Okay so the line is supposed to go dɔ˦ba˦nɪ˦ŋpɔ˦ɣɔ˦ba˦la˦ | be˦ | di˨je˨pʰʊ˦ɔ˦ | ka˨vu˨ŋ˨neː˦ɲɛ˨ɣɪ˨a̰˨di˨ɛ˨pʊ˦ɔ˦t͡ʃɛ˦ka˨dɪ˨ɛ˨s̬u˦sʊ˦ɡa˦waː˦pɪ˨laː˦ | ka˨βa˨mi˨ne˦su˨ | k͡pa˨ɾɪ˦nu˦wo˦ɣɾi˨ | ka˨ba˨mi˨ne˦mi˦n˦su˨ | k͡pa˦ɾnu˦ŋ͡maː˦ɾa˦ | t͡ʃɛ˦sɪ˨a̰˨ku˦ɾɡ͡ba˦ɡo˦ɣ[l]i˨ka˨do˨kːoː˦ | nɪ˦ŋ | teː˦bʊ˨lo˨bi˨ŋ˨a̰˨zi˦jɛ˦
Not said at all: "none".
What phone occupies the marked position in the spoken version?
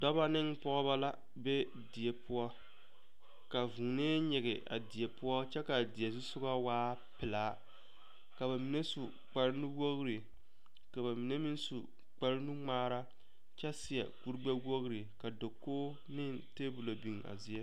ɾ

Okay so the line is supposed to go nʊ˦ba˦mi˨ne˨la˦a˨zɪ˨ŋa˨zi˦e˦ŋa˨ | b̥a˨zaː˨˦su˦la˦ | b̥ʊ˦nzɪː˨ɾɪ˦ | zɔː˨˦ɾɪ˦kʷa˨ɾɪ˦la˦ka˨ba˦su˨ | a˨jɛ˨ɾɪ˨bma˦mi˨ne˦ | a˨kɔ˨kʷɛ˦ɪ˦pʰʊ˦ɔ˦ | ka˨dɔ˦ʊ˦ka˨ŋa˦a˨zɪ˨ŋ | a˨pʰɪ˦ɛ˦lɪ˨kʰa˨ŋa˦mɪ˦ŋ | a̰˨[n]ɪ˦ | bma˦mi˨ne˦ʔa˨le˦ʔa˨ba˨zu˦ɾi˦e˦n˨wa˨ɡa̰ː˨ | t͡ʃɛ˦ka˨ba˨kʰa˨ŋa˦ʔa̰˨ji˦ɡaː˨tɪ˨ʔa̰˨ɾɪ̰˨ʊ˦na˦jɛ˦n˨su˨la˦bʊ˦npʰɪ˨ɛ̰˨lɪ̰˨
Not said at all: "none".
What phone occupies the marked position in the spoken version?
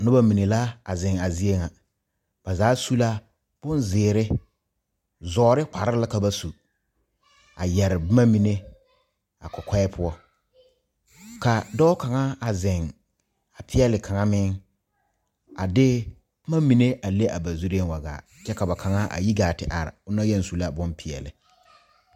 d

